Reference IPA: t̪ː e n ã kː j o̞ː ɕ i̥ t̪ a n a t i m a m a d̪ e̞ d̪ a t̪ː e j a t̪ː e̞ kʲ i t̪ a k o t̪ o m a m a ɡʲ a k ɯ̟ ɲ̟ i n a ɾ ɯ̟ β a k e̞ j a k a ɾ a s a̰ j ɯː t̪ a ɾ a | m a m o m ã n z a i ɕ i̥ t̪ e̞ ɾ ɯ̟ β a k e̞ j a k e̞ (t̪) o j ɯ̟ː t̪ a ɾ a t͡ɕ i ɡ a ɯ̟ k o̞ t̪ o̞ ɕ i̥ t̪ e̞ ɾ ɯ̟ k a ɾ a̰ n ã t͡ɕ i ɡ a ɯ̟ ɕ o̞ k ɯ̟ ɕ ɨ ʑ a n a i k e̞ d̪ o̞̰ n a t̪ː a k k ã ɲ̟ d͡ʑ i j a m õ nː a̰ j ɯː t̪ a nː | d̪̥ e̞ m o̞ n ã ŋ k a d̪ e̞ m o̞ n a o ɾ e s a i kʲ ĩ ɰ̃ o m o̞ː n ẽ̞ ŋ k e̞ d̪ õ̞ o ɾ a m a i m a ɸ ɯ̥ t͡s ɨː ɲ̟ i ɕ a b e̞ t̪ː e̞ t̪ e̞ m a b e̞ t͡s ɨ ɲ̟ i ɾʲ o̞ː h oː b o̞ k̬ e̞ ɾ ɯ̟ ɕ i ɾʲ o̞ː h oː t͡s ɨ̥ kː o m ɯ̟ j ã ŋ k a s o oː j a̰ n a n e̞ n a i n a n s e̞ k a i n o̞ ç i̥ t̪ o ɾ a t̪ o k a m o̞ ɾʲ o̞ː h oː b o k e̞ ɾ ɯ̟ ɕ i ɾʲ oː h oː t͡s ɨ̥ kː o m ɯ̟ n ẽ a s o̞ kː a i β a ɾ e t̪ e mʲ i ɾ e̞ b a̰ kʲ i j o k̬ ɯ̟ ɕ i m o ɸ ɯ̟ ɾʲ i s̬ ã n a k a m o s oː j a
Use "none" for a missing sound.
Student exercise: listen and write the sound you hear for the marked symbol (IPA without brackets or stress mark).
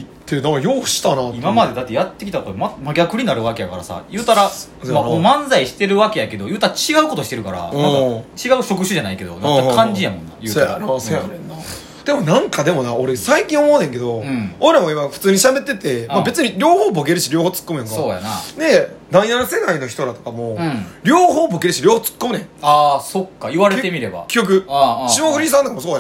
d̪